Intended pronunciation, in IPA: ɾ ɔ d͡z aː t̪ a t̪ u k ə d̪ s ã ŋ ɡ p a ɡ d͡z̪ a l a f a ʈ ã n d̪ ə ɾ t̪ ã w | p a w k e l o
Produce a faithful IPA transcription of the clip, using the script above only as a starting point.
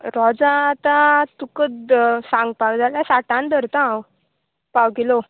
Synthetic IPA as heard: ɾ ɔ d͡z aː t̪ a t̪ u k ə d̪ s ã ŋ ɡ p a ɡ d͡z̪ a l a s a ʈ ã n d̪ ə ɾ t̪ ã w | p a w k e l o